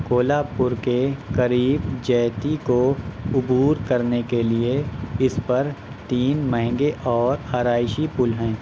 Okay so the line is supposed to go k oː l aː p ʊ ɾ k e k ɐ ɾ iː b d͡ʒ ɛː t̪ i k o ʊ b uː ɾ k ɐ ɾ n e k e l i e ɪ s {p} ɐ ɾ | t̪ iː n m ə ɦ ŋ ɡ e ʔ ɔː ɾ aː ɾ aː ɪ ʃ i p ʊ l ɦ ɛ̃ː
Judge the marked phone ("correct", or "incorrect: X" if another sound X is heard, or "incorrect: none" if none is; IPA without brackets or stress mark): correct